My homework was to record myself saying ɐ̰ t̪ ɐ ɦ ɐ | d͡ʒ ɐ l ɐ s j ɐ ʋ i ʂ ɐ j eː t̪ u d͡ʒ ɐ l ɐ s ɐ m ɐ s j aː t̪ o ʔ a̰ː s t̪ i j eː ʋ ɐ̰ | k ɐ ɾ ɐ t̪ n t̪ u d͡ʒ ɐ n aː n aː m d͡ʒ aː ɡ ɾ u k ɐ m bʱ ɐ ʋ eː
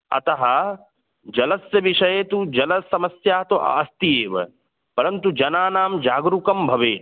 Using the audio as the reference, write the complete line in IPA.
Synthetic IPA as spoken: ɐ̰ t̪ ɐ ɦ ɐ | d͡ʒ ɐ l ɐ s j ɐ ʋ i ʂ ɐ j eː t̪ u d͡ʒ ɐ l ɐ s ɐ m ɐ s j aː t̪ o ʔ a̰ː s t̪ i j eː ʋ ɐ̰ | p ɐ ɾ ɐ n t̪ u d͡ʒ ɐ n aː n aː m d͡ʒ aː ɡ ɾ u k ɐ m bʱ ɐ ʋ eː